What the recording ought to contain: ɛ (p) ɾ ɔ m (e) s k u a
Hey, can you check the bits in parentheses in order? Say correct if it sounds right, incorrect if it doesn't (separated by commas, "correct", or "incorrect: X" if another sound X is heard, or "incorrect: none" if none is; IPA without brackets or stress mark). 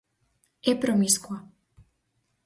correct, incorrect: i